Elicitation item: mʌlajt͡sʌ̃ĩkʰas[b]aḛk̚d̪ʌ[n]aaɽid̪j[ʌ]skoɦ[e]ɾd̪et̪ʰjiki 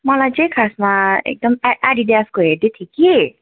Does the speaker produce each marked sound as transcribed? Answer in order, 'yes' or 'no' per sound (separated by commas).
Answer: no, no, no, yes